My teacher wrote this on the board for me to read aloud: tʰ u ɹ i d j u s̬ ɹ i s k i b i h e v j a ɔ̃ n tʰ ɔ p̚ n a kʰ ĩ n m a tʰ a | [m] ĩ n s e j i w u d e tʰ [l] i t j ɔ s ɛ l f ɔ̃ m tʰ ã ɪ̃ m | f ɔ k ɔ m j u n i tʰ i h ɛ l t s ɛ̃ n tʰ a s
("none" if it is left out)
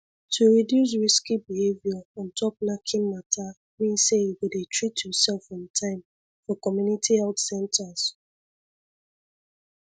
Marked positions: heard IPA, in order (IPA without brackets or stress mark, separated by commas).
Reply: m, ɹ